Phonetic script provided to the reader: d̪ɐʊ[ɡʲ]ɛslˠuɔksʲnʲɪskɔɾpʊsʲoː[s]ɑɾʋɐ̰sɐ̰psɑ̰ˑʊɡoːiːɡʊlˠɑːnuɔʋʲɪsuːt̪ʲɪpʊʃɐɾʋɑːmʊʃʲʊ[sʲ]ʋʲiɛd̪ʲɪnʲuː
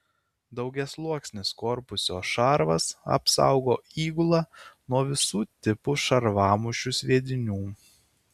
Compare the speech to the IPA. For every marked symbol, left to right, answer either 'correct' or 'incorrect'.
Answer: correct, incorrect, correct

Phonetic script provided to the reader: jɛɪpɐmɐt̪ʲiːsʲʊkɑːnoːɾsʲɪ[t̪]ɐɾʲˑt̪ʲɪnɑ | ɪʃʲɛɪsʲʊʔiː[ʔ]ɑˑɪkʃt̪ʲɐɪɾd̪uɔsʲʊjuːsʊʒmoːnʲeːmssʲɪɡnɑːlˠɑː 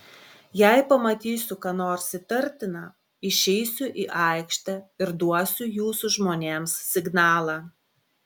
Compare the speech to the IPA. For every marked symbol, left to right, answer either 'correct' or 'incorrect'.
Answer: correct, correct

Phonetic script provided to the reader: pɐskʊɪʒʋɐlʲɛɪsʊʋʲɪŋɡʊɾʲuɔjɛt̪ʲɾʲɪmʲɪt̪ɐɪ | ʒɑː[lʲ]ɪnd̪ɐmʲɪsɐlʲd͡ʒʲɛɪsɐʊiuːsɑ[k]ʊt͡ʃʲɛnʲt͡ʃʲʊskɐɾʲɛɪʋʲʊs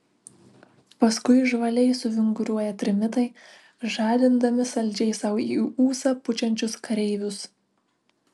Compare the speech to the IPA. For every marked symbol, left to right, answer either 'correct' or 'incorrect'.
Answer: correct, incorrect

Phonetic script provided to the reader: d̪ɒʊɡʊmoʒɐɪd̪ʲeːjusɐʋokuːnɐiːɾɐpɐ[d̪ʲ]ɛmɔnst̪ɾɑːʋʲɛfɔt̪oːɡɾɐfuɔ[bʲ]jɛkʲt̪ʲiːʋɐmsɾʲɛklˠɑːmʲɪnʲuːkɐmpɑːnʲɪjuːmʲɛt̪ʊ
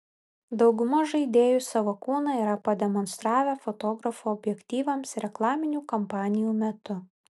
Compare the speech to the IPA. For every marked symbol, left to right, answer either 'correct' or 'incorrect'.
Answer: correct, correct

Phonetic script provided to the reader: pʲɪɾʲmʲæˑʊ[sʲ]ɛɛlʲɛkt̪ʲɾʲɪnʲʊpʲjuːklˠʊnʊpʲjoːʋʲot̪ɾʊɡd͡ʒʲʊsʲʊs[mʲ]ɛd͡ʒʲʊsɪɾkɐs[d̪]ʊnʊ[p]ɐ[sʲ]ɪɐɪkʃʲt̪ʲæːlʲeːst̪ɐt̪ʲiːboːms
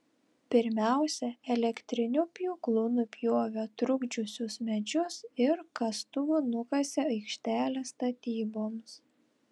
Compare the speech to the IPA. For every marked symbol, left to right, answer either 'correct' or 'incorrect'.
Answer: correct, correct, incorrect, incorrect, correct

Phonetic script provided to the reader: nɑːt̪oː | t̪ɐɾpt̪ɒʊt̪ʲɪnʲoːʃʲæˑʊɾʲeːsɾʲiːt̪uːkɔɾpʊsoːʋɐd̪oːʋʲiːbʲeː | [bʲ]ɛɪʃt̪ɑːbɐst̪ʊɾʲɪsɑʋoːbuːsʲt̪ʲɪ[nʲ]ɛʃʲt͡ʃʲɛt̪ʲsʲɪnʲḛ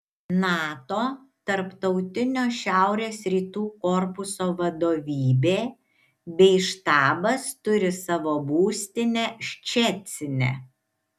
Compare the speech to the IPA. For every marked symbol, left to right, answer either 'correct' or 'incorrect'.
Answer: correct, correct

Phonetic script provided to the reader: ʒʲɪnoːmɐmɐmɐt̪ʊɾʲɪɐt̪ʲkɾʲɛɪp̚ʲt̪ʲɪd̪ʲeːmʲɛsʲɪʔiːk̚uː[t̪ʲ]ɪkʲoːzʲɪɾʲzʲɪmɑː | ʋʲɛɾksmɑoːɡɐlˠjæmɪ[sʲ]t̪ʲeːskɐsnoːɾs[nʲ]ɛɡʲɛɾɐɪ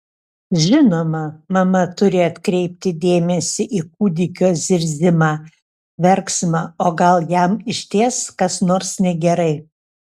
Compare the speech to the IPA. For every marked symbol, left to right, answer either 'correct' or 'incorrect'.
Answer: incorrect, incorrect, correct

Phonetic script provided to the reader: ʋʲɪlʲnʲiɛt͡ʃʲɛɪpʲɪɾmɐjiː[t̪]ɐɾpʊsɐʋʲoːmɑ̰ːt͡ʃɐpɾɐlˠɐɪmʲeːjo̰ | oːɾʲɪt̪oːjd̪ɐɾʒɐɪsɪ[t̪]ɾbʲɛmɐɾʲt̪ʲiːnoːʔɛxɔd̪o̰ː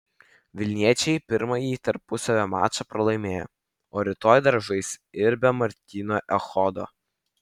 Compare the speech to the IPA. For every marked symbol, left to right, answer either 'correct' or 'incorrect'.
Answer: correct, incorrect

